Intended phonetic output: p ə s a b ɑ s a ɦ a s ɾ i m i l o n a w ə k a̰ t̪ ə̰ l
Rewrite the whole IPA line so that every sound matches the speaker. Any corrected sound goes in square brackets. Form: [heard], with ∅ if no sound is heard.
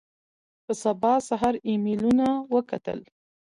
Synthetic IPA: p ə s a b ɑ s a ɦ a [∅] ɾ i m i l [u] n a w ə k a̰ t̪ ə̰ l